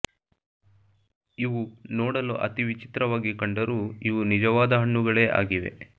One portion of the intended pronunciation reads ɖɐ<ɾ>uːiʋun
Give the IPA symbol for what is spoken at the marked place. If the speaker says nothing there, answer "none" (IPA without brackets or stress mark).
ɾ